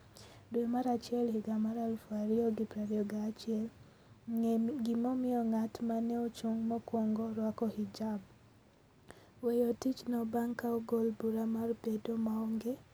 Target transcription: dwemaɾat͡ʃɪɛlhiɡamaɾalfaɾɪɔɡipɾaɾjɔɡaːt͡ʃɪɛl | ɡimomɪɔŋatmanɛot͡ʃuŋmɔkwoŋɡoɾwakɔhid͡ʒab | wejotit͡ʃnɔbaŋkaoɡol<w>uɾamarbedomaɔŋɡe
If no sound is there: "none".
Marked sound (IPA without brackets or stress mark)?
b